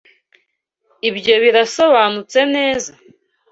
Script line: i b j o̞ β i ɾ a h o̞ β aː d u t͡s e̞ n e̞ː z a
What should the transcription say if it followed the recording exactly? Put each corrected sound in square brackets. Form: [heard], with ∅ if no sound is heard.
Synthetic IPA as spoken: i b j o̞ β i ɾ a [s] o̞ β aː [n] u t͡s e̞ n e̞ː z a